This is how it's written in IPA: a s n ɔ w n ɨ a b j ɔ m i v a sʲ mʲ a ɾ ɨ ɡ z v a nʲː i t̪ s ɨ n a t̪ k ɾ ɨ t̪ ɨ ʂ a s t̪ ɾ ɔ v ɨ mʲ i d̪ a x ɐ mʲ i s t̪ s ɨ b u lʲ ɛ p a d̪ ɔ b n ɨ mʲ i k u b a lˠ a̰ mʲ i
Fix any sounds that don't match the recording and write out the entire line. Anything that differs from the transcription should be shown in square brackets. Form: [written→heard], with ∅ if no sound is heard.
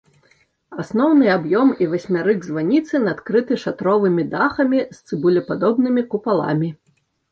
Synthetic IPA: a s n ɔ w n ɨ a b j ɔ m i v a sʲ mʲ a ɾ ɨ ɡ z v a [nʲː→nʲ] i t̪ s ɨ n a t̪ k ɾ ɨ t̪ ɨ ʂ a [s→∅] t̪ ɾ ɔ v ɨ mʲ i d̪ a x ɐ mʲ i s t̪ s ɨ b u lʲ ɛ p a d̪ ɔ b n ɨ mʲ i k u [b→p] a lˠ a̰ mʲ i

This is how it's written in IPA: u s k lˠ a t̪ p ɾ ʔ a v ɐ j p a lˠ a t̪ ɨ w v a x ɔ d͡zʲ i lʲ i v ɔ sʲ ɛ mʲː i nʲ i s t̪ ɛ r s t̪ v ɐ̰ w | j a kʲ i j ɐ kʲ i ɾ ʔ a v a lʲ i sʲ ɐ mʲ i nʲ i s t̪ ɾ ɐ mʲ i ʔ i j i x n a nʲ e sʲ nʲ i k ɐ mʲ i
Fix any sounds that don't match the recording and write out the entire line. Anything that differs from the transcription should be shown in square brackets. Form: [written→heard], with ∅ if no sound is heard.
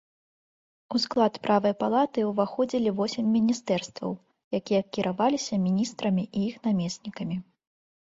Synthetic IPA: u s k lˠ a t̪ p ɾ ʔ a v ɐ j p a lˠ a t̪ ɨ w v a x ɔ d͡zʲ i lʲ i v ɔ sʲ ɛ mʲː i nʲ i s t̪ ɛ r s t̪ v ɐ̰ w | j a kʲ i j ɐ kʲ i ɾ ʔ a v a lʲ i sʲ ɐ mʲ i nʲ i s t̪ ɾ ɐ mʲ i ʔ i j i x n a [nʲ→mʲ] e sʲ nʲ i k ɐ mʲ i

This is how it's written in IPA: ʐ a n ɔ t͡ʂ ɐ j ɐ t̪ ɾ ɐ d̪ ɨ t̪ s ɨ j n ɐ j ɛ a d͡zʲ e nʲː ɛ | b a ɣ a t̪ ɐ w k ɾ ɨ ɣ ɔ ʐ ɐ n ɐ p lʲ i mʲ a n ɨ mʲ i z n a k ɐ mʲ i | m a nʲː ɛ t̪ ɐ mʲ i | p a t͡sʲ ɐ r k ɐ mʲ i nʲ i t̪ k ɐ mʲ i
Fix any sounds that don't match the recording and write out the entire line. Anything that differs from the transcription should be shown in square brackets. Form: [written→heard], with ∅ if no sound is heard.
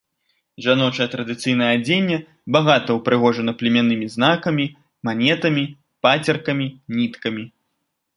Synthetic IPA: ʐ a n ɔ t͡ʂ ɐ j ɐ t̪ ɾ ɐ d̪ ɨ t̪ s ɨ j n ɐ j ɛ a d͡zʲ e nʲː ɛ | b a ɣ a t̪ ɐ w [k→p] ɾ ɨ ɣ ɔ ʐ ɐ n ɐ p lʲ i mʲ a n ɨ mʲ i z n a k ɐ mʲ i | m a [nʲː→nʲ] ɛ t̪ ɐ mʲ i | p a t͡sʲ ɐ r k ɐ mʲ i nʲ i t̪ k ɐ mʲ i

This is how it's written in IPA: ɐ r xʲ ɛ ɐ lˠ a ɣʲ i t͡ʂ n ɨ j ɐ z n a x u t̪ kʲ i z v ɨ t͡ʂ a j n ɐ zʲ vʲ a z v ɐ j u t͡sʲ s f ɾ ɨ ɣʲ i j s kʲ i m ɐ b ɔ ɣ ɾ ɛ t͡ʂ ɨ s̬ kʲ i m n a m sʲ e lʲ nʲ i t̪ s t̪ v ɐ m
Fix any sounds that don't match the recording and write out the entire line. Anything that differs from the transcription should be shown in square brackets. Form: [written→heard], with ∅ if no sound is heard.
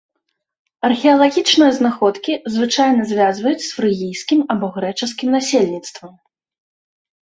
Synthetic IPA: ɐ r xʲ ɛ ɐ lˠ a ɣʲ i t͡ʂ n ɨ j ɐ z n a x [u→ɔ] t̪ kʲ i z v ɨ t͡ʂ a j n ɐ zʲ vʲ a z v ɐ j u t͡sʲ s f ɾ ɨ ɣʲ i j s kʲ i m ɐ b ɔ ɣ ɾ ɛ t͡ʂ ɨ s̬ kʲ i m n a [m→∅] sʲ e lʲ nʲ i t̪ s t̪ v ɐ m

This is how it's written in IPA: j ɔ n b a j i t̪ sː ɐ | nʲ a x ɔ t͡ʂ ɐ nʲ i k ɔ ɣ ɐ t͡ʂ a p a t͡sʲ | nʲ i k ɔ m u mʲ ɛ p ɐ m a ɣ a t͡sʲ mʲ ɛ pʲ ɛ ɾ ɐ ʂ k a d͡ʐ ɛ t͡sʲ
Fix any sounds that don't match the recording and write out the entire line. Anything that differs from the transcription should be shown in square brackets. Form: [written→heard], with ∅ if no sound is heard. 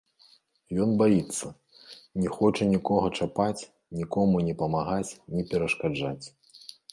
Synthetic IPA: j ɔ n b a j i t̪ sː ɐ | nʲ [a→ɛ] x ɔ t͡ʂ ɐ nʲ i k ɔ ɣ ɐ t͡ʂ a p a t͡sʲ | nʲ i k ɔ m u [mʲ→nʲ] ɛ p ɐ m a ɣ a t͡sʲ [mʲ→nʲ] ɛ pʲ ɛ ɾ ɐ ʂ k a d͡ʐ [ɛ→a] t͡sʲ

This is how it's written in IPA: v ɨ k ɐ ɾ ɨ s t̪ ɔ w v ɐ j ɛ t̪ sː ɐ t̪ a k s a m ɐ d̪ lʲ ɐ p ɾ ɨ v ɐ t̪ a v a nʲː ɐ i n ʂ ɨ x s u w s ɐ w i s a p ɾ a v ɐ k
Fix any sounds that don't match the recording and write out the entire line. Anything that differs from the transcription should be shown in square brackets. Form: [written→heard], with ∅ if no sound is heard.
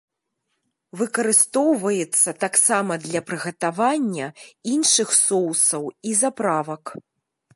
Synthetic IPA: v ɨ k ɐ ɾ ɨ s t̪ ɔ w v ɐ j ɛ t̪ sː ɐ t̪ a k s a m ɐ d̪ lʲ ɐ p ɾ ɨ [v→ɣ] ɐ t̪ a v a nʲː ɐ i n ʂ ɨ x s [u→ɔ] w s ɐ w i [s→z] a p ɾ a v ɐ k

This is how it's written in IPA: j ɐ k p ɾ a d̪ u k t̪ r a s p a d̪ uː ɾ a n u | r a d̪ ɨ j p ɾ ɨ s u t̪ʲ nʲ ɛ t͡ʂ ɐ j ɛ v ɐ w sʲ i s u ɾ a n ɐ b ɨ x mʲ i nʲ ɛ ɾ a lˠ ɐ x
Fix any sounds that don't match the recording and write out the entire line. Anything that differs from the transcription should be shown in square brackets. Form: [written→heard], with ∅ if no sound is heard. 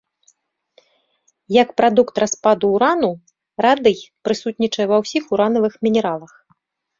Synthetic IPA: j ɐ k p ɾ a d̪ u k t̪ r a s p a d̪ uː ɾ a n u | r a d̪ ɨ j p ɾ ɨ s u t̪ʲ nʲ [ɛ→i] t͡ʂ ɐ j ɛ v ɐ w sʲ i [s→x] u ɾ a n ɐ [b→v] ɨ x mʲ i nʲ ɛ ɾ a lˠ ɐ x

